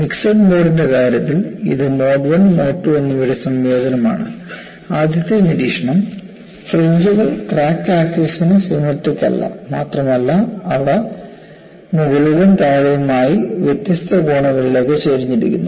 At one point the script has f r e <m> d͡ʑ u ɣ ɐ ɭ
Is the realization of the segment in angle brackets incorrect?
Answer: yes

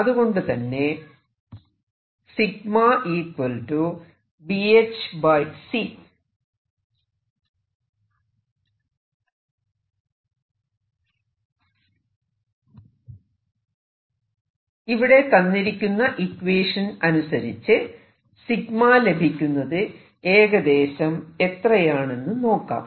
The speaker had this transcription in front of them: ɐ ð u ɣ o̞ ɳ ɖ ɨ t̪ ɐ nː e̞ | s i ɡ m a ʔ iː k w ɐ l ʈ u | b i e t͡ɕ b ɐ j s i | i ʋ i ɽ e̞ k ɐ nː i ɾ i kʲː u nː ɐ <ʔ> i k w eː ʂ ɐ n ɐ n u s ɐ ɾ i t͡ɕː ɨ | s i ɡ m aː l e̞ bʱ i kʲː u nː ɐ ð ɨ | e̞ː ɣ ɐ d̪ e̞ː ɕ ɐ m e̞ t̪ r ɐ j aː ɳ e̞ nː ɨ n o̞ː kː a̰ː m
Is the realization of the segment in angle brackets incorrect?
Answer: no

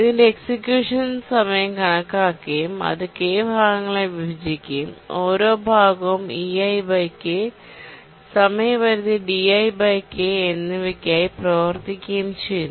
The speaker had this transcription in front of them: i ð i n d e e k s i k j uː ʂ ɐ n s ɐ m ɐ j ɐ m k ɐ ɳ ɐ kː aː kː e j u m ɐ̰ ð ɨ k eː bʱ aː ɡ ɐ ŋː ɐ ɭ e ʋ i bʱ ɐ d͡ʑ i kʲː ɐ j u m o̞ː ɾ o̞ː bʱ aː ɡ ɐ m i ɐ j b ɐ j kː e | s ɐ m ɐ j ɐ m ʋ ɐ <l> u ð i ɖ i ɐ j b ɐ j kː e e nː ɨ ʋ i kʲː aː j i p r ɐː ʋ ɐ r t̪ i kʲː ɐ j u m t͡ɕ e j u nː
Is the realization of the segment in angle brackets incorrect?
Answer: yes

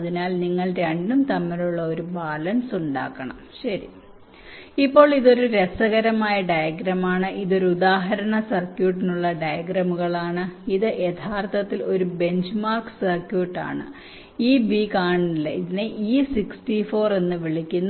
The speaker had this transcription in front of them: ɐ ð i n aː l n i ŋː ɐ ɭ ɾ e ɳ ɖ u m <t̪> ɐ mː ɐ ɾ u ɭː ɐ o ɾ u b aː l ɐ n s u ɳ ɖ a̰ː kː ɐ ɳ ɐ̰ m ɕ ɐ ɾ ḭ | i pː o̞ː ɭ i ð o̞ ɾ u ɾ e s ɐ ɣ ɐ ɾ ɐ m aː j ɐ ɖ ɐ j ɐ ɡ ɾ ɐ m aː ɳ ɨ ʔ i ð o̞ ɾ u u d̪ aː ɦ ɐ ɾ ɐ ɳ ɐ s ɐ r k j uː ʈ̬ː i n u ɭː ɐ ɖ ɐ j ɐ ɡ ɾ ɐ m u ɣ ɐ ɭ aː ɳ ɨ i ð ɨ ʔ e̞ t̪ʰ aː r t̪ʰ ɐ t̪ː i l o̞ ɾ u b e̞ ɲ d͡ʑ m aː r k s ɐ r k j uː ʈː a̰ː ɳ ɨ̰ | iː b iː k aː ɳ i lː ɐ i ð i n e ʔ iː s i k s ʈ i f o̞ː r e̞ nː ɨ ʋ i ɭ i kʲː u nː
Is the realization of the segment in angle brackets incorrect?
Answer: no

